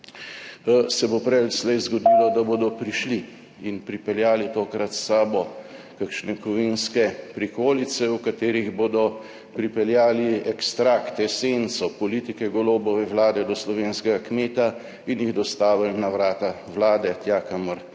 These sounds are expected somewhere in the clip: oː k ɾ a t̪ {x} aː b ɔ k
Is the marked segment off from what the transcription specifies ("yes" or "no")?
yes